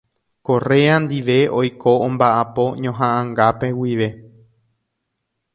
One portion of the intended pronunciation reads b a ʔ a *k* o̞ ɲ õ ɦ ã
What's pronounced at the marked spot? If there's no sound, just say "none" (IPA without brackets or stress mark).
p